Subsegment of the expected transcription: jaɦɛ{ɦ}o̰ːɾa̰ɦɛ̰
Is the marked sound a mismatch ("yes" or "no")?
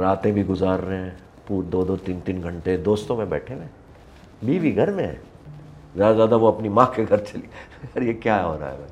no